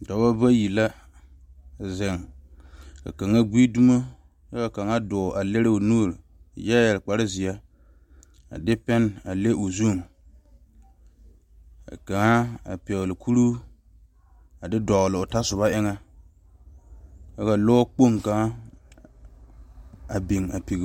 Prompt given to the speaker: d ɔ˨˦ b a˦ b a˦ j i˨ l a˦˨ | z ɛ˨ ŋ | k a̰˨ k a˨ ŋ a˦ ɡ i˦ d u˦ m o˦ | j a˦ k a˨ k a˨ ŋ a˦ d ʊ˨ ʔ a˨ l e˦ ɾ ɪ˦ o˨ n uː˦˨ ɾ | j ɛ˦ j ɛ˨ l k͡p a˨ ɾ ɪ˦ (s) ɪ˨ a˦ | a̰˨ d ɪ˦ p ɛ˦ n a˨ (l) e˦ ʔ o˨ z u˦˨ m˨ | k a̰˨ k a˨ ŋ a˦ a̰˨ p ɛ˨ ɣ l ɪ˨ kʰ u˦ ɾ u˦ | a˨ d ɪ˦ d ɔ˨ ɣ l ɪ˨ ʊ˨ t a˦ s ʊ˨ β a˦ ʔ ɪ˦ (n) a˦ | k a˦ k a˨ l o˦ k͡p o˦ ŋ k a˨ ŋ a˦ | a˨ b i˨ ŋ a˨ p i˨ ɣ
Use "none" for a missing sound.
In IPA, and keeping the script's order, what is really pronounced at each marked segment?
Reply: z, l, ŋ

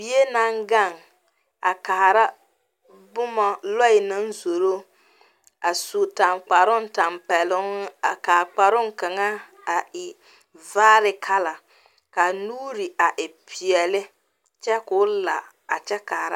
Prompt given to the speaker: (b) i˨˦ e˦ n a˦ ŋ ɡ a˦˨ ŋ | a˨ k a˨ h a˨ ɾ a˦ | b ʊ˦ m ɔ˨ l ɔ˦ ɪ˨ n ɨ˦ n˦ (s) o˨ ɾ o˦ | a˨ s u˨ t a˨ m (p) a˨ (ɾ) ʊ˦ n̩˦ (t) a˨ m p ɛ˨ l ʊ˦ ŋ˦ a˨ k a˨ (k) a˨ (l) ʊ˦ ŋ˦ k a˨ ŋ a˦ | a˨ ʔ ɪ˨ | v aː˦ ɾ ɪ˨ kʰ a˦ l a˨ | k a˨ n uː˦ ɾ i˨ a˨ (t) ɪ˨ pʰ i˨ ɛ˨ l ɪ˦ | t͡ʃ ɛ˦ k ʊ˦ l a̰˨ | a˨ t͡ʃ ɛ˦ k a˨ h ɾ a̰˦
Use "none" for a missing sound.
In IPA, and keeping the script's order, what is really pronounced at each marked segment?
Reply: b, z, k͡p, ɾ, t, k͡p, ɾ, ʔ

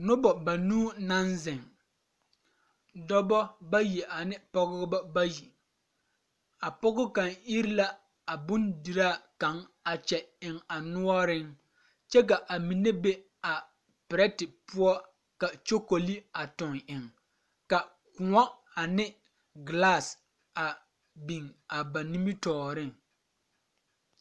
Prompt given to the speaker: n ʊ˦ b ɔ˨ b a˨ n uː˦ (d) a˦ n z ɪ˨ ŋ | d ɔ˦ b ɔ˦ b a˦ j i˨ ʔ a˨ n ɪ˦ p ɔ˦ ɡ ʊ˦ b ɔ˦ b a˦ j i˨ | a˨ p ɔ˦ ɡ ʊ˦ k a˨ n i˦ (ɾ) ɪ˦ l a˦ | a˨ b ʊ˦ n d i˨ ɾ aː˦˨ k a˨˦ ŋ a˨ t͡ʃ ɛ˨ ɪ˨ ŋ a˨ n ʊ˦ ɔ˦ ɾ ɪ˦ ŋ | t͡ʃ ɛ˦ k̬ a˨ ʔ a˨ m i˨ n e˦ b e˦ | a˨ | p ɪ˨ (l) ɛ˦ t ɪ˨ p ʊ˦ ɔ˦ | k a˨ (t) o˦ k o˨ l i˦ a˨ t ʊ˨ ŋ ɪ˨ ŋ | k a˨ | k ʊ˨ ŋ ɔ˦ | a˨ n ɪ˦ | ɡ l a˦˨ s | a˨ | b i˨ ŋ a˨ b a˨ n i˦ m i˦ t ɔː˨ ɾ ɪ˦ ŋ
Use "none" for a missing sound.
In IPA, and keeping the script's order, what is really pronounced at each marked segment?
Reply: n, ɾ, ɾ, t͡ʃ

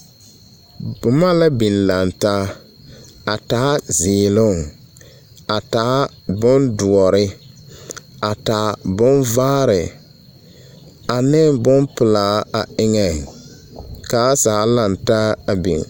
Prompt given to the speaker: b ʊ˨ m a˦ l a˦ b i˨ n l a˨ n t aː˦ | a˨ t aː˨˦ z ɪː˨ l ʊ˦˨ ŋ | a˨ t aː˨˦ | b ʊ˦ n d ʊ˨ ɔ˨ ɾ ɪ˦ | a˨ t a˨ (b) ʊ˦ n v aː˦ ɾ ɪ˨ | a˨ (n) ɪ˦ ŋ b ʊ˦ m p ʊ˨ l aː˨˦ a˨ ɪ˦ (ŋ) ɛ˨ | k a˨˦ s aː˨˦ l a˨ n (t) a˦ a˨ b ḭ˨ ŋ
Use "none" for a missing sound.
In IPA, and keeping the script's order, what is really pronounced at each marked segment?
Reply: b, n, ŋ, t

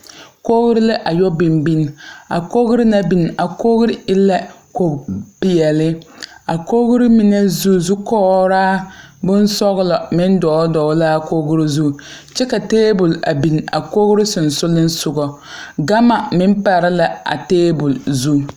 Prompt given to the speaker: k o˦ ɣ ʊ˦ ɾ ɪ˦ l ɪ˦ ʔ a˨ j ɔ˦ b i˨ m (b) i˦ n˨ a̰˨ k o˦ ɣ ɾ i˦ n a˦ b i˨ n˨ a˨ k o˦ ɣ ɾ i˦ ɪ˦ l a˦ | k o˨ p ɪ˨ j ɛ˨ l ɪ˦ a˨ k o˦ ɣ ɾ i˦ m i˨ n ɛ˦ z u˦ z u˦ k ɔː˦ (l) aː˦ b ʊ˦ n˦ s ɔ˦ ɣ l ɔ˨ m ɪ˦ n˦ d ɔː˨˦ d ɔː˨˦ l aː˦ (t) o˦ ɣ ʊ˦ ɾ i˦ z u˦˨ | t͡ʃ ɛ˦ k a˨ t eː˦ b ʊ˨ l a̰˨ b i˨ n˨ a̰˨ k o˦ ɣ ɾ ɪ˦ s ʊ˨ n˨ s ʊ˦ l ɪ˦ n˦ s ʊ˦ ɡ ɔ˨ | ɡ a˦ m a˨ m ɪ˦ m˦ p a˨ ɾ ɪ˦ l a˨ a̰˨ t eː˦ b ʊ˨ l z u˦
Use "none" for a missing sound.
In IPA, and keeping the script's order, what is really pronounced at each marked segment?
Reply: b, ɾ, k

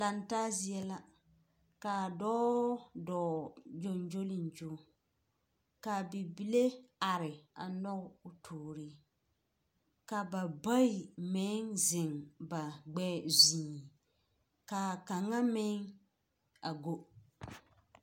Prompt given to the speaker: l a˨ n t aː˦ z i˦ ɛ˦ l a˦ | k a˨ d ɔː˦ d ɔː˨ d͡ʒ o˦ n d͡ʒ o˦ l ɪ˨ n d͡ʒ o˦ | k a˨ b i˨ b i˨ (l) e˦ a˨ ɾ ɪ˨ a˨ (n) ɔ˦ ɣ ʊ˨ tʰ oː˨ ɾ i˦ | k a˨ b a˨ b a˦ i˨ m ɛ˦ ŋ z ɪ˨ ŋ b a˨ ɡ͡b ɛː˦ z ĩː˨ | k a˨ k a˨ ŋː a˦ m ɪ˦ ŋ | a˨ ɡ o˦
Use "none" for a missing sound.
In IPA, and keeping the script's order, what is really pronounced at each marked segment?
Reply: l, n

